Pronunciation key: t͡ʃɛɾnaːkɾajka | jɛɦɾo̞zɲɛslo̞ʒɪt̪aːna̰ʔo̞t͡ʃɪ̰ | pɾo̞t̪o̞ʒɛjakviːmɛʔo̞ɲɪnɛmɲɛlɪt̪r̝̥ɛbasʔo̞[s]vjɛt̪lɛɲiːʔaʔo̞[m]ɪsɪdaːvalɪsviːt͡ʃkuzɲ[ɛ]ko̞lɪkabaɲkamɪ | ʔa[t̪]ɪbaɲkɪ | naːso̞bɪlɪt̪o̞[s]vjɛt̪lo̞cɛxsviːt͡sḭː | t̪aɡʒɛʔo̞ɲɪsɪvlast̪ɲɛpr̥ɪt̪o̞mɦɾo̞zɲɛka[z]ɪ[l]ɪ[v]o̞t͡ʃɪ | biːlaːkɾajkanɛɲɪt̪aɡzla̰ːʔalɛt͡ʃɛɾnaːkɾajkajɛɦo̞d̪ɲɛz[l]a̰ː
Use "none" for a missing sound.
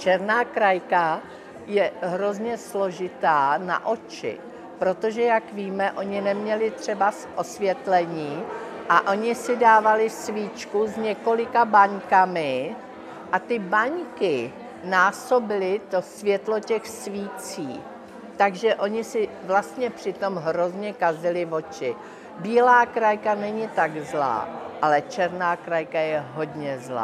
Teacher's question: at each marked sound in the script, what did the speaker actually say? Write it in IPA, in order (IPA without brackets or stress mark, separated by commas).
s, ɲ, ɛ, t̪, s, z, l, v, l